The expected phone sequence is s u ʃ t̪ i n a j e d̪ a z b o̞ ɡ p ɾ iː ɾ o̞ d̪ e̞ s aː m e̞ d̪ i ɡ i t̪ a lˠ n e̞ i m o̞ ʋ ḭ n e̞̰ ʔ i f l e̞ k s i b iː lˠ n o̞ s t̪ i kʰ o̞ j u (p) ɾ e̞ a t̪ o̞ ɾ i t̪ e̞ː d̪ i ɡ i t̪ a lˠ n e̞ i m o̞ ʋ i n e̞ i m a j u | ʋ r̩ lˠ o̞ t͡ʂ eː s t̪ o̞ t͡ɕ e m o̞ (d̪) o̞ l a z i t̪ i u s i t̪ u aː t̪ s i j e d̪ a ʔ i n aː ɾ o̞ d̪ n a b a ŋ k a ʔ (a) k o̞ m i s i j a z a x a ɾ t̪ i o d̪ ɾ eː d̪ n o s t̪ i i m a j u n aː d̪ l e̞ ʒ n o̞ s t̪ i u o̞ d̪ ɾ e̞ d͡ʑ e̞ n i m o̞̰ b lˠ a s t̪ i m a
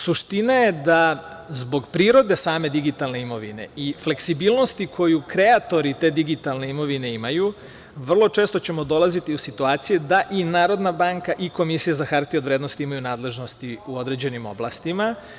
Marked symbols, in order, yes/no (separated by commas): no, yes, no